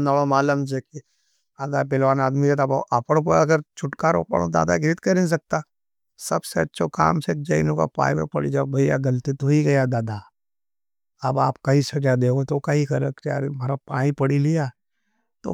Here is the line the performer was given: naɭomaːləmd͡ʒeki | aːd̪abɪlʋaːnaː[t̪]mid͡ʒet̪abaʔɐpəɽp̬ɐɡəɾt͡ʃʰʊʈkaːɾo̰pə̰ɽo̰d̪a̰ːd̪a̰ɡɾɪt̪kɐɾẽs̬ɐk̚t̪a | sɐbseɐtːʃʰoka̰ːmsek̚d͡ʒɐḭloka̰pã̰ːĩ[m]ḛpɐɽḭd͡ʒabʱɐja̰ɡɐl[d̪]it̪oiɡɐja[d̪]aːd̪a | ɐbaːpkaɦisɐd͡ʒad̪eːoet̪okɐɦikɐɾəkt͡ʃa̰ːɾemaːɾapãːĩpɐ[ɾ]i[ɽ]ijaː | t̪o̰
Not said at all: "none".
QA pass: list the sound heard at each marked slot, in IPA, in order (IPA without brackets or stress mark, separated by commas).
d̪, m, t̪, d̪, ɽ, l